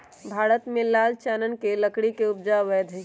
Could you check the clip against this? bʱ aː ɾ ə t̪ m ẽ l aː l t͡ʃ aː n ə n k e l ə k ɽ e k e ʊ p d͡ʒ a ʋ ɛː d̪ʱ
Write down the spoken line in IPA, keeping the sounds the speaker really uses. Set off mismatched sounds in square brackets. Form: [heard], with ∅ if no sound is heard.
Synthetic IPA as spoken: bʱ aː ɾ ə t̪ m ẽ l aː l t͡ʃ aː n ə n k e l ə k ɽ [i] k e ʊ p d͡ʒ a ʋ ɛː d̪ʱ